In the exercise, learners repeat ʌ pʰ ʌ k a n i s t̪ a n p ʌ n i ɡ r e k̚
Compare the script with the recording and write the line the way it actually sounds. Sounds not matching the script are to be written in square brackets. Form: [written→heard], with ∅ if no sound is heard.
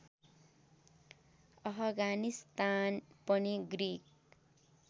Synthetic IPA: ʌ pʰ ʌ [k→ɡ] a n i s t̪ a n p ʌ n i ɡ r [e→i] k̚